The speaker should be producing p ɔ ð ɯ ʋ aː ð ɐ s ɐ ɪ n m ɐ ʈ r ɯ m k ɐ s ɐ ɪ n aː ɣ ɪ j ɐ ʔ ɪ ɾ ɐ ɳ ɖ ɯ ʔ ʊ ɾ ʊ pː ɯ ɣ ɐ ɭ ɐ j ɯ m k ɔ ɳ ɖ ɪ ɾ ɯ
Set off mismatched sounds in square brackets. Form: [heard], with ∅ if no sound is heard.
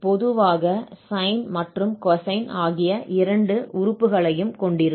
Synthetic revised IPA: p ɔ ð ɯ ʋ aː [ɣ] ɐ s ɐ ɪ n m ɐ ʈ r ɯ m k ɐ s ɐ ɪ n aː ɣ ɪ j ɐ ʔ ɪ ɾ ɐ ɳ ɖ ɯ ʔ ʊ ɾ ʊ pː ɯ ɣ ɐ ɭ ɐ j ɯ m k ɔ ɳ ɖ ɪ ɾ ɯ